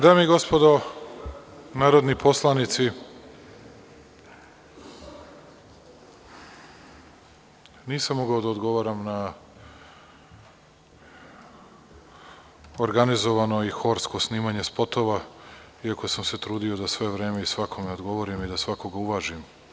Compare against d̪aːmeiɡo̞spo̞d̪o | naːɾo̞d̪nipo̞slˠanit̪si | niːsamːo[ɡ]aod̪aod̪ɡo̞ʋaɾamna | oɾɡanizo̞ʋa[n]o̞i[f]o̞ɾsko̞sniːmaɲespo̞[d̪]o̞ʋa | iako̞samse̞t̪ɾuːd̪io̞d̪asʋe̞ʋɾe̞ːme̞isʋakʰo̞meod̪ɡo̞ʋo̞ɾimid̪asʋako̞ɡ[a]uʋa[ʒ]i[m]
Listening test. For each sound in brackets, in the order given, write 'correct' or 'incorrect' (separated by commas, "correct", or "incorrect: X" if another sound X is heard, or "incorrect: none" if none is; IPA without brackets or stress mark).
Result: correct, correct, incorrect: x, incorrect: t̪, correct, correct, correct